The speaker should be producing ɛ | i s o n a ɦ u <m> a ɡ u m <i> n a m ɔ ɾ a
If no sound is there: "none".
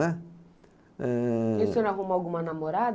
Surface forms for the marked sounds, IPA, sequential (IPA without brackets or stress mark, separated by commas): m, a